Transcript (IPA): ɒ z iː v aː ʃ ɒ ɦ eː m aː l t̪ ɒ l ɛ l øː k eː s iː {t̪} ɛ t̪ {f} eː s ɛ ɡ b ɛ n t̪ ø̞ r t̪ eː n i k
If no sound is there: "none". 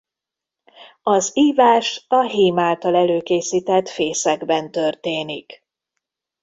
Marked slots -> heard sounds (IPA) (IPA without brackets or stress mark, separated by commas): t̪, f